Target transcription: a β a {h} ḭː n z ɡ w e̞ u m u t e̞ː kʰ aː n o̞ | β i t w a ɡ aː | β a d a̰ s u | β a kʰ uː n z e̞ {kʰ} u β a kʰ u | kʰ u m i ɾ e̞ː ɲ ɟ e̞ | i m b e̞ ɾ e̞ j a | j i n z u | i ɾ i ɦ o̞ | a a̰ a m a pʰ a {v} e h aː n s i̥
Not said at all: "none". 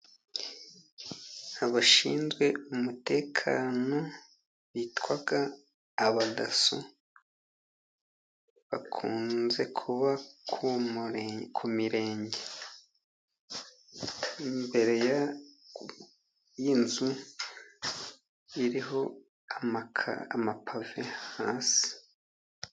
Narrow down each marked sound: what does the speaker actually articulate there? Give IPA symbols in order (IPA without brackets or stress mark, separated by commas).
ʃ, kʰ, v